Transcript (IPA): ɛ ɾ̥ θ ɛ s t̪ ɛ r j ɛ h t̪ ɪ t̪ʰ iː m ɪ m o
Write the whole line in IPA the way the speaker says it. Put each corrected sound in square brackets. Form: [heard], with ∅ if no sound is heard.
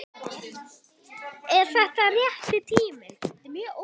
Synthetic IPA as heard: ɛ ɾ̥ θ ɛ [h] t̪ [a] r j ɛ h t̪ ɪ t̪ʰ iː m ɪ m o